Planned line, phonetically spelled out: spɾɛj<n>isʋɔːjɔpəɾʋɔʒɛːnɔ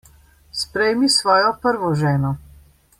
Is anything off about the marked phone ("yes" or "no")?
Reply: yes